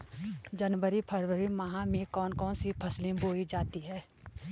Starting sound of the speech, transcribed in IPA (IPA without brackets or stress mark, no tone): d͡ʒ